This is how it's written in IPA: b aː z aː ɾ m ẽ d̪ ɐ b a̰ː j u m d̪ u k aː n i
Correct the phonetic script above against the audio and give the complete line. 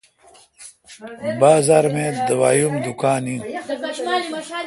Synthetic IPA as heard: b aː z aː ɾ m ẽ d̪ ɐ w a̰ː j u m d̪ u k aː n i